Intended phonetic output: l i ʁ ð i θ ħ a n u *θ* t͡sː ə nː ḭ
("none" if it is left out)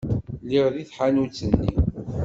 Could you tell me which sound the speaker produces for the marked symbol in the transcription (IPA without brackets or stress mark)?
none